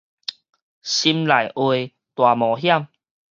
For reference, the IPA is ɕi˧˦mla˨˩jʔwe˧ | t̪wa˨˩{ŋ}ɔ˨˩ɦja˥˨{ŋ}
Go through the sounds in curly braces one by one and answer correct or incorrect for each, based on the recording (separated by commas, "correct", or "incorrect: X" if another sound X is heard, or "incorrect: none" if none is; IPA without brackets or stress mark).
incorrect: m, incorrect: m